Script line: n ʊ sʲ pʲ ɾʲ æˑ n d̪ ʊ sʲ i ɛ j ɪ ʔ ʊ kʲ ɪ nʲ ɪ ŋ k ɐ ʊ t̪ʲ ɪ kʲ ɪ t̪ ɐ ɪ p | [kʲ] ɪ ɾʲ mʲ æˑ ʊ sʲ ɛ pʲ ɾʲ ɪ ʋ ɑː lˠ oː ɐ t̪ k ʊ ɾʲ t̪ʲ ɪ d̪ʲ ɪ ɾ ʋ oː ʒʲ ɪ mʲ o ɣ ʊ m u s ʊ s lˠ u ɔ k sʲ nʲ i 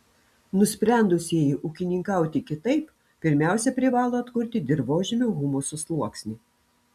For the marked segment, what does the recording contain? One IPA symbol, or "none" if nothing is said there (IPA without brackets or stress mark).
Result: pʲ